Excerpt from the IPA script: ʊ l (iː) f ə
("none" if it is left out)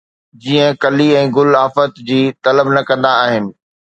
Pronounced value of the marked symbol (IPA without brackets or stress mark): aː